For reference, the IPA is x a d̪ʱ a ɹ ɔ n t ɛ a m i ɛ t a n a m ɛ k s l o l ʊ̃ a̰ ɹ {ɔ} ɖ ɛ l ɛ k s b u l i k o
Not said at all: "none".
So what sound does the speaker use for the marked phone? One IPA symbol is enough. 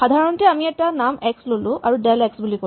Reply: u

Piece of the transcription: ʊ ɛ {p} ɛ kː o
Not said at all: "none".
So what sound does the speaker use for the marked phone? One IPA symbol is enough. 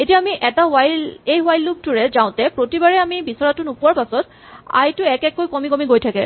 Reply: k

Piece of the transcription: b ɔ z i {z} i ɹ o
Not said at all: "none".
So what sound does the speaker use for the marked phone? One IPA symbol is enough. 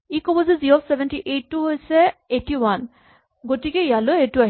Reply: z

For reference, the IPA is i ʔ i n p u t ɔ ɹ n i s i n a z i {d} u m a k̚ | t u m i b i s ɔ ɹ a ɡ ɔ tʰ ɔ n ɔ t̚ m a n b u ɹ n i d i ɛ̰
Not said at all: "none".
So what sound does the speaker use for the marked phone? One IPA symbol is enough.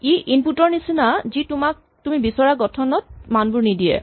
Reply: t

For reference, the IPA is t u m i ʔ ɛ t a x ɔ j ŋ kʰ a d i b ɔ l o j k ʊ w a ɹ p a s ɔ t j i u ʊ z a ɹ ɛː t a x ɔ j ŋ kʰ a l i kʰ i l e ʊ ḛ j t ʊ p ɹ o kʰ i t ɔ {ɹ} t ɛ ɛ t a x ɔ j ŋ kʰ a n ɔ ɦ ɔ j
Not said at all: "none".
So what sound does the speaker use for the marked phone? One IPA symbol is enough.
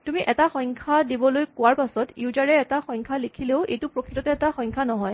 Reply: none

